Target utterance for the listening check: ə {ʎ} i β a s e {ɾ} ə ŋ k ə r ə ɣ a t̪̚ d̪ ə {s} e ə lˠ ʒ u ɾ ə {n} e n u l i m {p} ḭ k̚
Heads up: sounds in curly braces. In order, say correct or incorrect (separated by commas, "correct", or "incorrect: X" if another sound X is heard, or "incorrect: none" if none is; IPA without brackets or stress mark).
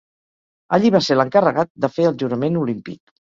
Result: correct, incorrect: l, incorrect: f, incorrect: m, correct